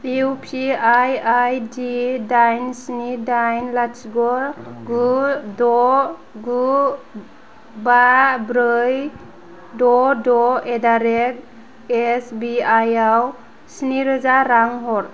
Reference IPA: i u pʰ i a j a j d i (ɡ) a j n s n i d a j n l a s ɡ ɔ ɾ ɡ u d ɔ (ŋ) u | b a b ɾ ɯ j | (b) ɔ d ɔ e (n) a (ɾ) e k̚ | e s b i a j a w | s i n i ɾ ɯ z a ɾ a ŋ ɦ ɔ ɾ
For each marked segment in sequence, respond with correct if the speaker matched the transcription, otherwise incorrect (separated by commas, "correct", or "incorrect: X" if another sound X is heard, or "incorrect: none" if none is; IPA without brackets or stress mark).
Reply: incorrect: d, incorrect: ɡ, incorrect: d, incorrect: d, correct